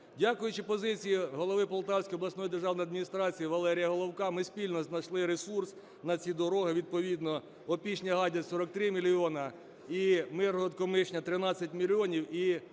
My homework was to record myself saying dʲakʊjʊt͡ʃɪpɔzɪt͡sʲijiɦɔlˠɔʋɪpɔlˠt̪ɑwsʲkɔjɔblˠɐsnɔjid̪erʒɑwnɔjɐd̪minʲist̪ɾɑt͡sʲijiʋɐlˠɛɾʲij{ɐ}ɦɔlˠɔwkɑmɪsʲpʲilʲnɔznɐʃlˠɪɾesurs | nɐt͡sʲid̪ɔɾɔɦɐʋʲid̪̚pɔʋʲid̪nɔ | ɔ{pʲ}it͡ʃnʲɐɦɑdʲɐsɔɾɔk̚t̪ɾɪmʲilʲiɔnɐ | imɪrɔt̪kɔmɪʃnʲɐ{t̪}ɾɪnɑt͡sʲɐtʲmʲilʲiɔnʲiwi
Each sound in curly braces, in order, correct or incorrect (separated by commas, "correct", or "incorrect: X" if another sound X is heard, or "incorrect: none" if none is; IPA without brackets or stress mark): correct, correct, correct